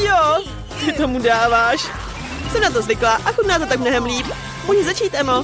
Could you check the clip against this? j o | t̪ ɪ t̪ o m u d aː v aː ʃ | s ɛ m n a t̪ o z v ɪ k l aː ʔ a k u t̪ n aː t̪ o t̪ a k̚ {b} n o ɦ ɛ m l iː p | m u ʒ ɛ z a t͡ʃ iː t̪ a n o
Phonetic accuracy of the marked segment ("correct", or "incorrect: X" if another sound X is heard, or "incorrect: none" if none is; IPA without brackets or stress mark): incorrect: m